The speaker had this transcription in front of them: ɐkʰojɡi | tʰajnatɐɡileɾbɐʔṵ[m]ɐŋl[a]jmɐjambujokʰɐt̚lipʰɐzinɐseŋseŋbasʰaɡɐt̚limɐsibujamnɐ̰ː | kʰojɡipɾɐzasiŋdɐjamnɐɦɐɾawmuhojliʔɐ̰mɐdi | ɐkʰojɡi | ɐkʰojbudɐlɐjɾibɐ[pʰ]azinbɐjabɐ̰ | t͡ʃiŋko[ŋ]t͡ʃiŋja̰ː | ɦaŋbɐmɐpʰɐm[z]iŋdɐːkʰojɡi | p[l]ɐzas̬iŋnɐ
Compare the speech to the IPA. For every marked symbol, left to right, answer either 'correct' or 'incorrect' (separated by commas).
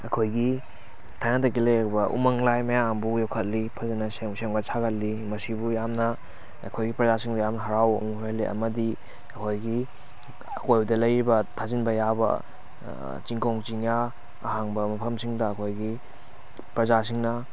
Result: correct, correct, incorrect, correct, incorrect, incorrect